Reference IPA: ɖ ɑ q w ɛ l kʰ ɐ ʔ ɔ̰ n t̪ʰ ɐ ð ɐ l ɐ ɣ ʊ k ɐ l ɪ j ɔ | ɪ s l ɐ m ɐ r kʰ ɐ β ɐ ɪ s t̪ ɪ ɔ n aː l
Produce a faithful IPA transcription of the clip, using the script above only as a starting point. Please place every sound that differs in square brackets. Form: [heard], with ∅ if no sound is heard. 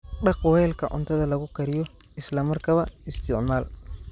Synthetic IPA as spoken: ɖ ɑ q w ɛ l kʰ ɐ ʔ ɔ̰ n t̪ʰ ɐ ð ɐ l ɐ ɣ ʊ k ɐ [ɾ] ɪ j ɔ | ɪ s l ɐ m ɐ r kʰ ɐ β ɐ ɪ s t̪ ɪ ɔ n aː l

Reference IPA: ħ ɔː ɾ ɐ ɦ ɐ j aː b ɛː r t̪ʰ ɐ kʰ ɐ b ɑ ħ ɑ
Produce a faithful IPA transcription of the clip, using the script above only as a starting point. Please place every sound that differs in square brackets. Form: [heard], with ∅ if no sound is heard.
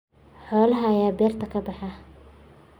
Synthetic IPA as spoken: ħ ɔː [l] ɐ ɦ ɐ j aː b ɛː r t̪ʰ ɐ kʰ ɐ b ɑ ħ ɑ

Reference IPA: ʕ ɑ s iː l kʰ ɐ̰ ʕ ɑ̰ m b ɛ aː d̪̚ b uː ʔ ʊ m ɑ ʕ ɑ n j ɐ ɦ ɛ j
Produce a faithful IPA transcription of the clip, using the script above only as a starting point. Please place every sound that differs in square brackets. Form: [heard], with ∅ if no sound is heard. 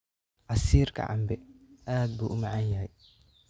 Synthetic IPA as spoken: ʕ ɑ s iː [r] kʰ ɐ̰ ʕ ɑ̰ m b ɛ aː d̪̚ b uː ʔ ʊ m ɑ ʕ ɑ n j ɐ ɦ ɛ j

